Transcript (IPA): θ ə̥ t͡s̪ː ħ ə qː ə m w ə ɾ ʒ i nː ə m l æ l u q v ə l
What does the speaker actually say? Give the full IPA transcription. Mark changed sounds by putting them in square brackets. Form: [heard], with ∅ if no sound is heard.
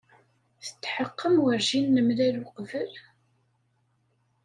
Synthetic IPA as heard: θ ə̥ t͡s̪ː ħ ə qː ə m w ə ɾ ʒ i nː ə m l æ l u q v ə l